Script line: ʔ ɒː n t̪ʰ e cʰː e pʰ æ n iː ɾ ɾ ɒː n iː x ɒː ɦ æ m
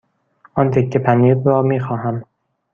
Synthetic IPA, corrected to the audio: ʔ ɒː n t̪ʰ e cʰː e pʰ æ n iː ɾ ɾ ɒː m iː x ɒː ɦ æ m